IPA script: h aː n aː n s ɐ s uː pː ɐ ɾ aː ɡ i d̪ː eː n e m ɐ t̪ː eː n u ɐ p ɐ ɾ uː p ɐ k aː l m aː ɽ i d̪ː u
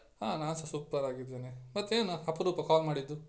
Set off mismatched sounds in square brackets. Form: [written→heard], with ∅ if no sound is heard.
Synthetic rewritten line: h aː n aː n s ɐ s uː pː ɐ ɾ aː ɡ i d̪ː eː n e m ɐ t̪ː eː n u ɐ p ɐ ɾ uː p ɐ k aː l m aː ɽ i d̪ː u